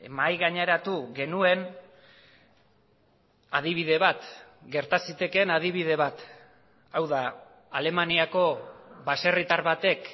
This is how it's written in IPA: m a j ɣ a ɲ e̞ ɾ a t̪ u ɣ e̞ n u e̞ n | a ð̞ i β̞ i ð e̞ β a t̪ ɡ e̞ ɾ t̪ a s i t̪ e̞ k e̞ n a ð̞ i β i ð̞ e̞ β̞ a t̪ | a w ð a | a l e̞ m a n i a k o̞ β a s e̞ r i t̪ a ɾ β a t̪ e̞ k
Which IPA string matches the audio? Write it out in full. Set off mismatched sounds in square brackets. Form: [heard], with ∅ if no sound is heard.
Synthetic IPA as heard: m a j ɣ a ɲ e̞ ɾ a t̪ u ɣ e̞ n u e̞ n | a ð̞ i β̞ i ð e̞ β a t̪ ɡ e̞ ɾ t̪ a s i t̪ e̞ k e̞ n a ð̞ i β i ð̞ e̞ β̞ a t̪ | a w ð a | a l e̞ m a n i a k o̞ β a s e̞ r i t̪ a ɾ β a t̪ e̞ k

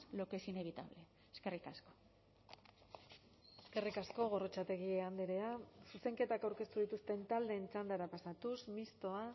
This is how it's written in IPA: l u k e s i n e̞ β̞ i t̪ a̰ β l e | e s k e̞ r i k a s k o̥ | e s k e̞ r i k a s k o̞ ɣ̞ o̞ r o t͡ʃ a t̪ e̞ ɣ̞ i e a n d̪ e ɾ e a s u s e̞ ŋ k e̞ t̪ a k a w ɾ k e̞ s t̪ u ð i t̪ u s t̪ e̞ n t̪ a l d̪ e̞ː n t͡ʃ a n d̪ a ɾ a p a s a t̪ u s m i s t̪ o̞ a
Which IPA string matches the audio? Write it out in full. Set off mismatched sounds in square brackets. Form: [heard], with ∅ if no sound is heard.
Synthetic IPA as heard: l [o] k e s i n e̞ β̞ i t̪ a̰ β l e | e s k e̞ r i k a s k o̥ | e s k e̞ r i k a s k o̞ ɣ̞ o̞ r o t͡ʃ a t̪ e̞ ɣ̞ i e a n d̪ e ɾ e a s u s e̞ ŋ k e̞ t̪ a k a w ɾ k e̞ s t̪ u ð i t̪ u s t̪ e̞ n t̪ a l d̪ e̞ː n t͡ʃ a n d̪ a ɾ a p a s a t̪ u s m i s t̪ o̞ a

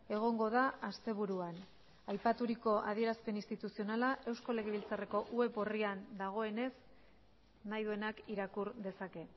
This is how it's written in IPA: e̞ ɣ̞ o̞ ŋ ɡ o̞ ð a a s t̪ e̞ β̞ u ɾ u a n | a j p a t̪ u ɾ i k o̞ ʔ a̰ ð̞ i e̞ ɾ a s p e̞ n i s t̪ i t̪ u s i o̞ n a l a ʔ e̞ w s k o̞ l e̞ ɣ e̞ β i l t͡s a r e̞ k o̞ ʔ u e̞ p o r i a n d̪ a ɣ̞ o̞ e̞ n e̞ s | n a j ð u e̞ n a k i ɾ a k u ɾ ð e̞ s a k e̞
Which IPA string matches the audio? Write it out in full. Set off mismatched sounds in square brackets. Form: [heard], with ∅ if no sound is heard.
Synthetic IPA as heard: e̞ ɣ̞ o̞ ŋ ɡ o̞ ð a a s t̪ e̞ β̞ u ɾ u a n | a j p a t̪ u ɾ i k o̞ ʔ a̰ ð̞ i e̞ ɾ a s p e̞ n i s t̪ i t̪ u s i o̞ n a l a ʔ e̞ w s k o̞ l e̞ ɣ e̞ β i l t͡s a r e̞ k o̞ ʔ u e̞ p o r i a n d̪ a ɣ̞ o̞ e̞ n e̞ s | n a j ð u e̞ n a k i ɾ a k u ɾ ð e̞ s a k e̞

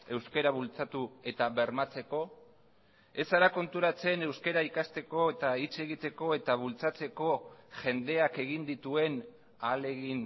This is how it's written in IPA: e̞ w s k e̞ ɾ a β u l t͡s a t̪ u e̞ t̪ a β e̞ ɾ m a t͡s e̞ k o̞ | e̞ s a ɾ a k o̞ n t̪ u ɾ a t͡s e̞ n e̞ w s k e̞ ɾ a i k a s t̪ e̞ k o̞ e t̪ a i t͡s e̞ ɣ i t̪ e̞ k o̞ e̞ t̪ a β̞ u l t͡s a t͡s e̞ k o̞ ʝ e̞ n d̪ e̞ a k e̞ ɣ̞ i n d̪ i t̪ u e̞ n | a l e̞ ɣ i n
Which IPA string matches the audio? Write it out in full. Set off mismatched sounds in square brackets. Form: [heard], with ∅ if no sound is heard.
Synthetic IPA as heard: e̞ w s k e̞ ɾ a β u l t͡s a t̪ u e̞ t̪ a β e̞ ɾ m a t͡s e̞ k o̞ | e̞ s a ɾ a k o̞ n t̪ u ɾ a t͡s e̞ n e̞ w s k e̞ ɾ a i k a s t̪ e̞ k o̞ e t̪ a i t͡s e̞ ɣ i t̪ e̞ k o̞ e̞ t̪ a β̞ u l t͡s a t͡s e̞ k o̞ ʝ e̞ n d̪ e̞ a k e̞ ɣ̞ i n d̪ i t̪ u e̞ n | a l e̞ ɣ i n

